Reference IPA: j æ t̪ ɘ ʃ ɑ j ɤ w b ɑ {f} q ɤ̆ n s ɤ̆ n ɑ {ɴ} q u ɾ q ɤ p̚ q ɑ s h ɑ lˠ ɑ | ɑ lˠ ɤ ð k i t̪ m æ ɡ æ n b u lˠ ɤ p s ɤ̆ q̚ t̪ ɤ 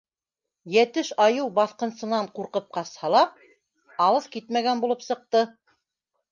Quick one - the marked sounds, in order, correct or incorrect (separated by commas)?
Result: incorrect, correct